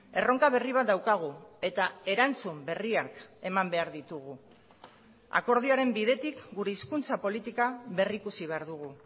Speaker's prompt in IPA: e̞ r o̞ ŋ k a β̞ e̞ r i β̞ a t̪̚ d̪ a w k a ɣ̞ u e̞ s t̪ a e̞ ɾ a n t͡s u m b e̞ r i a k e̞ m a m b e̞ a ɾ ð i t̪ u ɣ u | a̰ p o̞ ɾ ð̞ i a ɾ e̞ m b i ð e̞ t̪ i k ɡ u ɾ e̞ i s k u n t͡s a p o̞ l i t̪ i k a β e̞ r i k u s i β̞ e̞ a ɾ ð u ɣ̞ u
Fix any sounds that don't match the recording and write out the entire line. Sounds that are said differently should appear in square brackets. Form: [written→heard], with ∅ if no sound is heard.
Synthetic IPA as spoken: e̞ r o̞ ŋ k a β̞ e̞ r i β̞ a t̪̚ d̪ a w k a ɣ̞ u e̞ [s→∅] t̪ a e̞ ɾ a n t͡s u m b e̞ r i a k e̞ m a m b e̞ a ɾ ð i t̪ u ɣ u | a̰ [p→k] o̞ ɾ ð̞ i a ɾ e̞ m b i ð e̞ t̪ i k ɡ u ɾ e̞ i s k u n t͡s a p o̞ l i t̪ i k a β e̞ r i k u s i β̞ e̞ a ɾ ð u ɣ̞ u